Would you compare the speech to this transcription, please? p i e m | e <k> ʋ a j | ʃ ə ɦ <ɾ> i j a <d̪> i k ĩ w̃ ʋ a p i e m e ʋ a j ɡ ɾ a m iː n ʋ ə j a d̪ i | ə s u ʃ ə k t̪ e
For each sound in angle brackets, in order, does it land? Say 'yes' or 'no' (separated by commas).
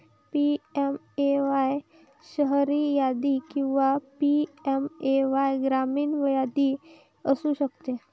no, yes, yes